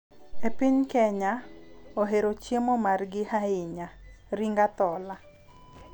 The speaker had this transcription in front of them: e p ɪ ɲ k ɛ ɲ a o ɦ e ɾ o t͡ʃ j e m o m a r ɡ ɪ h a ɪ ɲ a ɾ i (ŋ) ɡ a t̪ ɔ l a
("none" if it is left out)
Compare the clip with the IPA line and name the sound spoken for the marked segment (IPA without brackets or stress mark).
ŋ